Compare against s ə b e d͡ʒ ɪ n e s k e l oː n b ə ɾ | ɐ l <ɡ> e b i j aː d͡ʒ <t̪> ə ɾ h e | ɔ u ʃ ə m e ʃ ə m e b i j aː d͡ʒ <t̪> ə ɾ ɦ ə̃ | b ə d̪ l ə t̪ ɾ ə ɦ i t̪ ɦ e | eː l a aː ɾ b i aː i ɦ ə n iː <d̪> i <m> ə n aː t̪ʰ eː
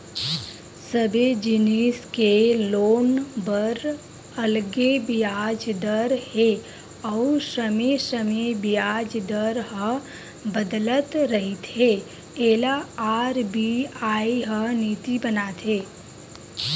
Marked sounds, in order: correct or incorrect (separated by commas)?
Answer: correct, incorrect, incorrect, incorrect, incorrect